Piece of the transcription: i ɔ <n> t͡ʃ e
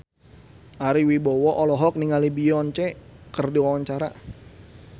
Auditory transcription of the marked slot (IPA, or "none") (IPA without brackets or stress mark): n